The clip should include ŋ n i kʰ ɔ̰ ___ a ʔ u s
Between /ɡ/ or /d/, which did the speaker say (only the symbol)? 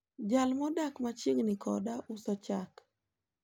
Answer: d